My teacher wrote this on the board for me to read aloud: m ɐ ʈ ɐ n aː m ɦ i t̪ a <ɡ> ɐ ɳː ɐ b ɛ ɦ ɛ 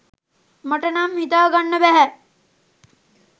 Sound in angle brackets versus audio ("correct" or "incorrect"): correct